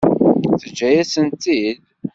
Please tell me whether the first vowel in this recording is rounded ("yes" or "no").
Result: no